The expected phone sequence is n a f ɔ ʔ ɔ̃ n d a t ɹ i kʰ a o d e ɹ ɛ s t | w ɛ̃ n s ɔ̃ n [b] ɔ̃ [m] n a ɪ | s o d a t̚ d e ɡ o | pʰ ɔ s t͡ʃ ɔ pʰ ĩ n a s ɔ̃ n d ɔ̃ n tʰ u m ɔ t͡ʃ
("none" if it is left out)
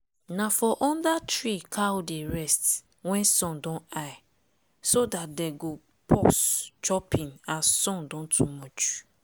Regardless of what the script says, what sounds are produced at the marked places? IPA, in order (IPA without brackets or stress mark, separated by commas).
d, none